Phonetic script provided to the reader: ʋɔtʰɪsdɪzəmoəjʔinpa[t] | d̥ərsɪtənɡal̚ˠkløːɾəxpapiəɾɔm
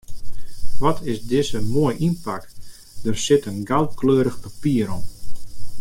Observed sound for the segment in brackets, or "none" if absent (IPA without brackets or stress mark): k